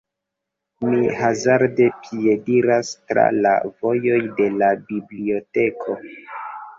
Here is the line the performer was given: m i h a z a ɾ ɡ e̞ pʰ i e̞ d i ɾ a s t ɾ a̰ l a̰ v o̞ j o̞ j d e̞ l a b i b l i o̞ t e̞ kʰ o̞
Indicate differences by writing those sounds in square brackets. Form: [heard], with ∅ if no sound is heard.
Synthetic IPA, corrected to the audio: m i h a z a ɾ [d] e̞ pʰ i e̞ d i ɾ a s t ɾ a̰ l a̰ v o̞ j o̞ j d e̞ l a b i b l i o̞ t e̞ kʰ o̞